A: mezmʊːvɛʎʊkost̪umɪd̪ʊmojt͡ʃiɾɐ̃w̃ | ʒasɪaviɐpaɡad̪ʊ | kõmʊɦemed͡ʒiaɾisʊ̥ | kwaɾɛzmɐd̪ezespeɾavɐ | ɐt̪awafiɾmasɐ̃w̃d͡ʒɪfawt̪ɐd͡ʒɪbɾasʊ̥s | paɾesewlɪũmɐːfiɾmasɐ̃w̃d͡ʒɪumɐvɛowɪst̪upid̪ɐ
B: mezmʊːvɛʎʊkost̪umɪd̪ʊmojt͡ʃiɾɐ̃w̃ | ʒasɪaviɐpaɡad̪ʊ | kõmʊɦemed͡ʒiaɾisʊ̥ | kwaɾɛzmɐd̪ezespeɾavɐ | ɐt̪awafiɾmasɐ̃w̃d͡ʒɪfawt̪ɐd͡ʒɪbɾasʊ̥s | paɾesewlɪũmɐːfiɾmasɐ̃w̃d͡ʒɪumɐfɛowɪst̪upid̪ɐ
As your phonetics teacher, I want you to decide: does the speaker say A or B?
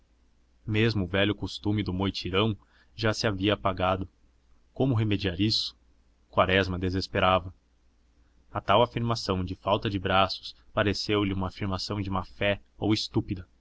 B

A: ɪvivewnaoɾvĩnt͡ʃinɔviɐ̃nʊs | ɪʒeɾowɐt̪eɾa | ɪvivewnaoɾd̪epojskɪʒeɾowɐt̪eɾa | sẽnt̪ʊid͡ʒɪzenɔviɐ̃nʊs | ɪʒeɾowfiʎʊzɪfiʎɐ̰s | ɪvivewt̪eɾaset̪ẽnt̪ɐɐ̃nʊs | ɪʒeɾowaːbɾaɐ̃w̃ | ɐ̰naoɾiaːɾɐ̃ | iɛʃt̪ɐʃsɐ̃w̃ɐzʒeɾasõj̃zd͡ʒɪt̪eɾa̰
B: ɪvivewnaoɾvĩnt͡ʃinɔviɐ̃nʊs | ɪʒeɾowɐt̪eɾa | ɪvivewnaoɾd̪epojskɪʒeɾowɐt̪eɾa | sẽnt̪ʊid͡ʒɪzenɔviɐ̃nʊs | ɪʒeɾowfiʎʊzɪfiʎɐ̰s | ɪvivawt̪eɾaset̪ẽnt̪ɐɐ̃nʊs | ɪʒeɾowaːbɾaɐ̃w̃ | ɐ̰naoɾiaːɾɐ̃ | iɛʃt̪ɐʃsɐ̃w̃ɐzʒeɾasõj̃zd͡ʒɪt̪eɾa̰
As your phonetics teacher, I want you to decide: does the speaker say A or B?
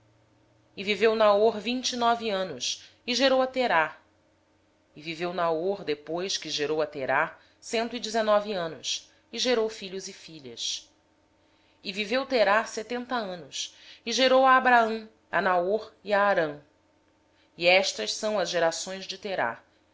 A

